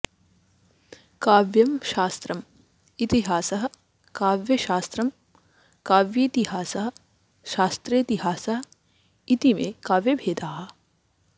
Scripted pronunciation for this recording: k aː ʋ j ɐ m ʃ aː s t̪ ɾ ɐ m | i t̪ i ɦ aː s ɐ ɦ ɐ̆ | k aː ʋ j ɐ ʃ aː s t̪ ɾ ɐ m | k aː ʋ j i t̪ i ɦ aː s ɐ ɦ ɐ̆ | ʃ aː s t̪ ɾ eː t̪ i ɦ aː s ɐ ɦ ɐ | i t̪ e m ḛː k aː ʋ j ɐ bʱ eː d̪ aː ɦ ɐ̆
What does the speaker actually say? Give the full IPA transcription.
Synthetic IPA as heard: k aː ʋ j ɐ m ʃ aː s t̪ ɾ ɐ m | i t̪ i ɦ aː s ɐ ɦ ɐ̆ | k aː ʋ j ɐ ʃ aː s t̪ ɾ ɐ m | k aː ʋ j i t̪ i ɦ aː s ɐ ɦ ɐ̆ | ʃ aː s t̪ ɾ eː t̪ i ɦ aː s ɐ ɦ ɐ | i t̪ i m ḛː k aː ʋ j ɐ bʱ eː d̪ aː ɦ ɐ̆